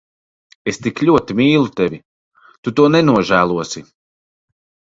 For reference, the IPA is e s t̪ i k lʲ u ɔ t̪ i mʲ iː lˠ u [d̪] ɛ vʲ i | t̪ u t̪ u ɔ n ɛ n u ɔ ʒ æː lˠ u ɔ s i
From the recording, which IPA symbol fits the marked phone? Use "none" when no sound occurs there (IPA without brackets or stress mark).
t̪